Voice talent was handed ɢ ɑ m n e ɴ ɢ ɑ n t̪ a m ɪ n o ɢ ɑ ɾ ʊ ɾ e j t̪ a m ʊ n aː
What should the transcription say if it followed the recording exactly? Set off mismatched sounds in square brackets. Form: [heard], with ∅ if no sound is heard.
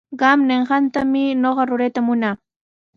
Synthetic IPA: ɢ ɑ m n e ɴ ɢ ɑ n t̪ a m ɪ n o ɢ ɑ ɾ ʊ ɾ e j t̪ a m ʊ n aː